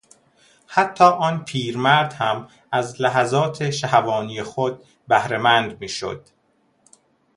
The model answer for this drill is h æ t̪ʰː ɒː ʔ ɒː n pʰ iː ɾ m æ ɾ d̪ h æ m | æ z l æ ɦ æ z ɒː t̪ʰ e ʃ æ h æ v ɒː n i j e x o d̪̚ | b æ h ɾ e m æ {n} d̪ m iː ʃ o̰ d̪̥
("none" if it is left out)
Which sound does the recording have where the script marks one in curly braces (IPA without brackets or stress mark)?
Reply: n